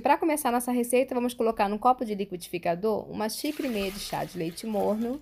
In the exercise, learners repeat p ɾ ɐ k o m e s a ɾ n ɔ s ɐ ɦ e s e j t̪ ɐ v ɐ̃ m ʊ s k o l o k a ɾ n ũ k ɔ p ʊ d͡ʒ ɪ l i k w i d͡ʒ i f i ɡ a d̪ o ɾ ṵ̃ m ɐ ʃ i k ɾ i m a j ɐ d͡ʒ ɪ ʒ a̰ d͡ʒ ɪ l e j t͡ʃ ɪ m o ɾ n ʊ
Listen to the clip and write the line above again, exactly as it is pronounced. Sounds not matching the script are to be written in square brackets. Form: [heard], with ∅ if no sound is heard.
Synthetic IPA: p ɾ ɐ k o m e s a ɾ n ɔ s ɐ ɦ e s e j t̪ ɐ v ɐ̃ m ʊ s k o l o k a ɾ n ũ k ɔ p ʊ d͡ʒ ɪ l i k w i d͡ʒ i f i [k] a d̪ o ɾ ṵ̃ m ɐ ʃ i k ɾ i m [e] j ɐ d͡ʒ ɪ [ʃ] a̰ d͡ʒ ɪ l e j t͡ʃ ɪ m o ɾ n ʊ